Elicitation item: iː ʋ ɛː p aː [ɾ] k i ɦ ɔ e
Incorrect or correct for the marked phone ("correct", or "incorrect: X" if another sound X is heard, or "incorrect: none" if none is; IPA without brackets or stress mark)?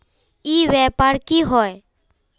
correct